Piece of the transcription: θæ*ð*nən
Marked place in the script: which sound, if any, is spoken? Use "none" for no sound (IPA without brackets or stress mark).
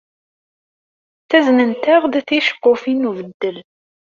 z